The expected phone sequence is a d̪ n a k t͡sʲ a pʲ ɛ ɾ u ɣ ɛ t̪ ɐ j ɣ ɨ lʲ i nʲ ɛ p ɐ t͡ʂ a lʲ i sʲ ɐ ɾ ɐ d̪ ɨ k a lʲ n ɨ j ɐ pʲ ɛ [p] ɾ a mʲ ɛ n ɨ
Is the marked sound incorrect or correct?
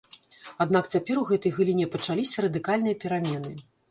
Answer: incorrect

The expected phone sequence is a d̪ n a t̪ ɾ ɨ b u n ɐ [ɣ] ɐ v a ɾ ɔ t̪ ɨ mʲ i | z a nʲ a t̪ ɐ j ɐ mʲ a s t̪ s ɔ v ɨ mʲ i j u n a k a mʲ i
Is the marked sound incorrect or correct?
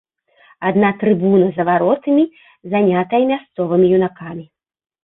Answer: incorrect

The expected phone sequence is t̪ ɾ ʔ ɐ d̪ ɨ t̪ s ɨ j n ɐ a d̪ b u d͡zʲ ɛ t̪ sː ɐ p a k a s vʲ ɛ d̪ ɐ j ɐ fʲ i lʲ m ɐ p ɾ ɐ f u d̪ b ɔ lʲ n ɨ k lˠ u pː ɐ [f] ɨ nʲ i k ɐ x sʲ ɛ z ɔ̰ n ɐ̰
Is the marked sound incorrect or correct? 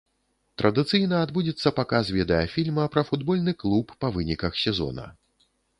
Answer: incorrect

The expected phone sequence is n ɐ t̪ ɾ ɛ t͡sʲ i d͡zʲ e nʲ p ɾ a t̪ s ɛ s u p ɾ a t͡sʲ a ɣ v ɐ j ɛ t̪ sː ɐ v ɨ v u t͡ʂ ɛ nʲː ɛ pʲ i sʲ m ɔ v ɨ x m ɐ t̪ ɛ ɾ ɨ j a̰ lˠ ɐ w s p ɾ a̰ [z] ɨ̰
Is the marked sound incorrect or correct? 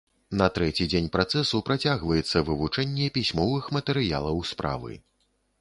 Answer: incorrect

